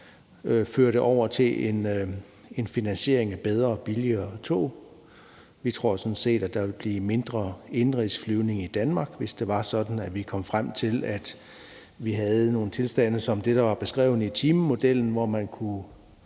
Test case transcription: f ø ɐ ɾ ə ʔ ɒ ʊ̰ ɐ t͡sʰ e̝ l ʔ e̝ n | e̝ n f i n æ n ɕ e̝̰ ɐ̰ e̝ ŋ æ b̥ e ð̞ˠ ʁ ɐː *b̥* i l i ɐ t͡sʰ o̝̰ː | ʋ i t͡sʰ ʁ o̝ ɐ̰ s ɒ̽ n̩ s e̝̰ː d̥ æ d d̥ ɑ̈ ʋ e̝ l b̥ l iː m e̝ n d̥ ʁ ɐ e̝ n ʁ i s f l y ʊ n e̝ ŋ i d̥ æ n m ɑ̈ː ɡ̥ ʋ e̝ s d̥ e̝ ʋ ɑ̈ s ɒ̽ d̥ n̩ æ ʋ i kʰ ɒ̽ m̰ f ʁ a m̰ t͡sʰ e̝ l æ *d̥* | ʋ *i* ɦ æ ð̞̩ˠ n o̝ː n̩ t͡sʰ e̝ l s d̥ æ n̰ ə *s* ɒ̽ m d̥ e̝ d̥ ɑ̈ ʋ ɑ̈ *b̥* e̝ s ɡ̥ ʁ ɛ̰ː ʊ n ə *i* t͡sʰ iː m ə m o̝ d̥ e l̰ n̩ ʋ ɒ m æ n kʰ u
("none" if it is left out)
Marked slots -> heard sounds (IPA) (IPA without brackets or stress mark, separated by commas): b̥, d̥, i, s, b̥, i